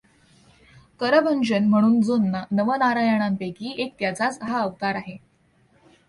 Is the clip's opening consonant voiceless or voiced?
voiceless